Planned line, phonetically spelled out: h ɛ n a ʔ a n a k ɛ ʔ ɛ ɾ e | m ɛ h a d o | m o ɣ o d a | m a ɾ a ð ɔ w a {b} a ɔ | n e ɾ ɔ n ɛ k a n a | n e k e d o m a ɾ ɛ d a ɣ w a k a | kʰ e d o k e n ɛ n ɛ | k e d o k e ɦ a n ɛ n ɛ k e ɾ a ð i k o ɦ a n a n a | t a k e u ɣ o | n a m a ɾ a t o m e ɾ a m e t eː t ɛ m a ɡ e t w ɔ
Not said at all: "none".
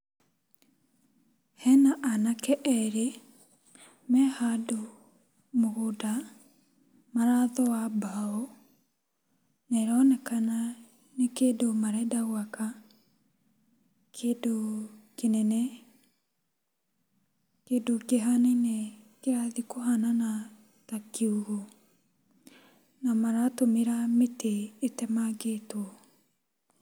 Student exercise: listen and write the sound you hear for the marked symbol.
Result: b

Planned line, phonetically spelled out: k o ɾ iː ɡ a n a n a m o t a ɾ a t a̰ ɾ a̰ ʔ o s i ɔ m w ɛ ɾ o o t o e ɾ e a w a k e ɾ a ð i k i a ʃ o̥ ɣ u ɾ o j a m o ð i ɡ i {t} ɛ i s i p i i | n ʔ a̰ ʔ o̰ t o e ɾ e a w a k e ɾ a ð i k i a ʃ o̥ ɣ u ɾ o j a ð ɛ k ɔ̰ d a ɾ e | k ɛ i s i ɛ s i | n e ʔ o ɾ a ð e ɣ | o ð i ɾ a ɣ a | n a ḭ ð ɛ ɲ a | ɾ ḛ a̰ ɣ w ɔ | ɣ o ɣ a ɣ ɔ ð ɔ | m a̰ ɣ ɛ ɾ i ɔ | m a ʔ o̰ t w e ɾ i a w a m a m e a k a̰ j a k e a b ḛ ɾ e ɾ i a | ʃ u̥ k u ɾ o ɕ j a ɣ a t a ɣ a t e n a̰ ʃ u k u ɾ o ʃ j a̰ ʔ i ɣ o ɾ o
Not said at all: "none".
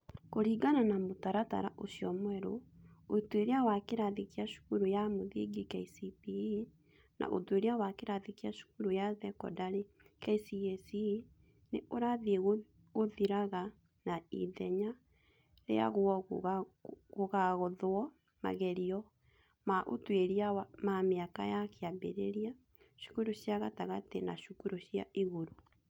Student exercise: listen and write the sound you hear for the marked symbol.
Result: k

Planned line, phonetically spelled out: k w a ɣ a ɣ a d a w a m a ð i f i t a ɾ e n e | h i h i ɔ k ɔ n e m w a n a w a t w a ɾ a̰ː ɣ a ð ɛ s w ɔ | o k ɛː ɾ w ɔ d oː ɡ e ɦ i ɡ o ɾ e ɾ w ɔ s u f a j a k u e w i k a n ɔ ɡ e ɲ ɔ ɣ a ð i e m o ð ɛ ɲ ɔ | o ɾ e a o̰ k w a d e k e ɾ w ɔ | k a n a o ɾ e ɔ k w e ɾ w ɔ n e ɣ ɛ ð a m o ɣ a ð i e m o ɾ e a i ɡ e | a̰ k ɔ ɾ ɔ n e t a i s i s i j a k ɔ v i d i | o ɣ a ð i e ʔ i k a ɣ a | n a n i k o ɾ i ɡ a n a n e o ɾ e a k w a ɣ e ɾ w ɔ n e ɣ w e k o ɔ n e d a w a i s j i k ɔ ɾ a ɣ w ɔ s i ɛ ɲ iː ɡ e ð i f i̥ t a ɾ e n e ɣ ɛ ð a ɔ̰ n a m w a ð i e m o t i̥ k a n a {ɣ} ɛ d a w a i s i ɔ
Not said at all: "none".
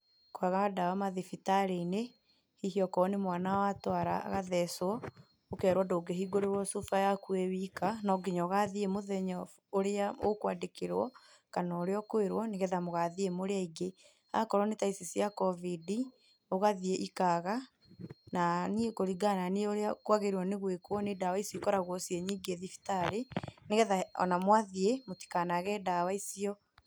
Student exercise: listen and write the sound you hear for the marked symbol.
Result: ɣ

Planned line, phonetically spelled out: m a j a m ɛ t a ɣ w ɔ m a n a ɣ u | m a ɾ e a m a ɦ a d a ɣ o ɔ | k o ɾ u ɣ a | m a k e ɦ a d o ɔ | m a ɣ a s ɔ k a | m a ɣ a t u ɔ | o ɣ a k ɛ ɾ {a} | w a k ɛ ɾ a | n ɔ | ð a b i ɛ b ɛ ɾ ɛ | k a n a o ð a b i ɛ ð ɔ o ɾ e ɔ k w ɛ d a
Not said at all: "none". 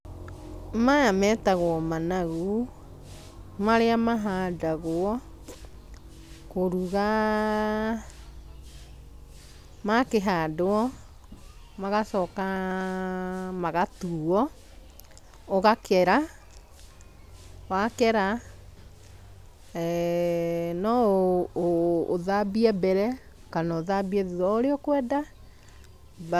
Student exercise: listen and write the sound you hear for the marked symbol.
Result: a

